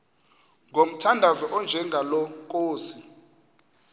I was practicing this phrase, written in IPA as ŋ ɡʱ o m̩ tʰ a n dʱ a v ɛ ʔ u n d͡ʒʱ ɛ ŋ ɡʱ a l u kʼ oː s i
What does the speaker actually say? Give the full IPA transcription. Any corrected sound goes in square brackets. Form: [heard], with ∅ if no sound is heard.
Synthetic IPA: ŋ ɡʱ o m̩ tʰ a n dʱ a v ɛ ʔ [ɔ] n d͡ʒʱ ɛ ŋ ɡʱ a l [ɔ] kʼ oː s i